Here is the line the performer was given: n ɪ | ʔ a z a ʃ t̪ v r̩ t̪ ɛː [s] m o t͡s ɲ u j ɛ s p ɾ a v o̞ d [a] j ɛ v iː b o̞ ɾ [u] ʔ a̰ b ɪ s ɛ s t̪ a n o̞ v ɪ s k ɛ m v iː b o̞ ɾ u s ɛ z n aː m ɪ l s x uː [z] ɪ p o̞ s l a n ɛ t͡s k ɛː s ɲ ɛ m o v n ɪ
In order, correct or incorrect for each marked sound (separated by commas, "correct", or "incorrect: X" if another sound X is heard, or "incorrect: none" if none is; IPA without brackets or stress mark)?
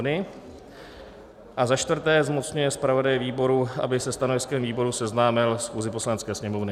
incorrect: z, correct, correct, correct